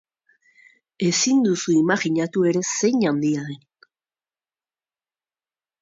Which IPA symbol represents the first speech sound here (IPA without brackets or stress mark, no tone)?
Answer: e̞